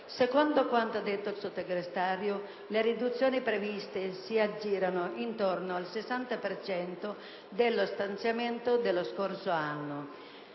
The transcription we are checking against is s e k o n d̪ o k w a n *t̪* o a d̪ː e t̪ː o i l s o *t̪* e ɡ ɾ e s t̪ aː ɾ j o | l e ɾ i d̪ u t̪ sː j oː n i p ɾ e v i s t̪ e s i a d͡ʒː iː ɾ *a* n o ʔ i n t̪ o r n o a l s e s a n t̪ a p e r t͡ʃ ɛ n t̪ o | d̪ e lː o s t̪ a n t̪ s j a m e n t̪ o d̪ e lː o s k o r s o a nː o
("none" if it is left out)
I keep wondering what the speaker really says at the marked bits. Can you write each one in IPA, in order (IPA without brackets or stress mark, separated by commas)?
t̪, t̪, a